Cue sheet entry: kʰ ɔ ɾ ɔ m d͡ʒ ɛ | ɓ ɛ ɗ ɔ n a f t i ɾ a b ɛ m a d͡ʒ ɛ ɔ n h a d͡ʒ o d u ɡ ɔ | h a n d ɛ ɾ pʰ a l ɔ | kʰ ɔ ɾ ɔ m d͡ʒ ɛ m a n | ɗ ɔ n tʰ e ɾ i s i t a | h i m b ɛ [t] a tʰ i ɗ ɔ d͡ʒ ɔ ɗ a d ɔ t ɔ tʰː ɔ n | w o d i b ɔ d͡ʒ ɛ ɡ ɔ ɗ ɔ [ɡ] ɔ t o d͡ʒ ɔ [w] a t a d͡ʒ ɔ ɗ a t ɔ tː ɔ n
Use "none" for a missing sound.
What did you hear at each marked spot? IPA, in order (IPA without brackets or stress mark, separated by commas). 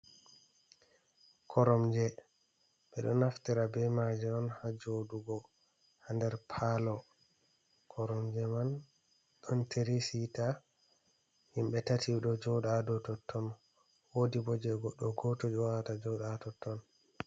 t, ɡ, w